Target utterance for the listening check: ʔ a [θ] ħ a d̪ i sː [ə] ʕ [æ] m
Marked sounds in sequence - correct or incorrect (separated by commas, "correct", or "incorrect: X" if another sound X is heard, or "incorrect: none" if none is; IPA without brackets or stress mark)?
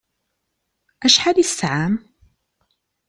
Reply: incorrect: ʃ, incorrect: a, incorrect: a